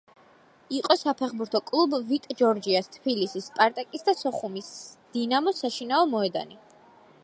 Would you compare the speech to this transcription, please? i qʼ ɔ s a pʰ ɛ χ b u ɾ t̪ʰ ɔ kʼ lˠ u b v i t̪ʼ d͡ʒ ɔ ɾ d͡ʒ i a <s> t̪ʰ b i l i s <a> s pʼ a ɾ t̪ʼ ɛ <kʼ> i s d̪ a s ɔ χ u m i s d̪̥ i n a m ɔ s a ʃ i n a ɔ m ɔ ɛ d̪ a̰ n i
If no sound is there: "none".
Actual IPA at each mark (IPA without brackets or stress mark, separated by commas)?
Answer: s, i, kʼ